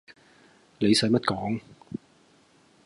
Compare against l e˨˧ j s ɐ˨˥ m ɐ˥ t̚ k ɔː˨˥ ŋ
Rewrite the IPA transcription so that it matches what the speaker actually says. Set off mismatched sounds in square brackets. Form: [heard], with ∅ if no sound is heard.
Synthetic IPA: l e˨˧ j s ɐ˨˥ m ɐ˥ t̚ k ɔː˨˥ ŋ